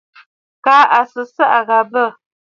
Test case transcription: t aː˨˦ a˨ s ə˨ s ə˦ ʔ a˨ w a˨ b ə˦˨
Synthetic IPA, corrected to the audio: k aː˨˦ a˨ s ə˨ s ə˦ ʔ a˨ ɣ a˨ b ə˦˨